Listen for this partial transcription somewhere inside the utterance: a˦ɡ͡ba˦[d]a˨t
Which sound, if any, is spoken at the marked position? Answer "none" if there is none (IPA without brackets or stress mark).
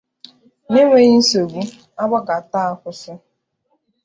ɡ